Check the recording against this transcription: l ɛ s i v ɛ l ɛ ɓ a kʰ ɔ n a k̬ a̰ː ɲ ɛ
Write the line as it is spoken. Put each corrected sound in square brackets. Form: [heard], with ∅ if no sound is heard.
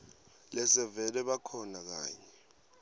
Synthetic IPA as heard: l ɛ s [ɛ] v ɛ l ɛ ɓ a kʰ ɔ n a k̬ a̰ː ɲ ɛ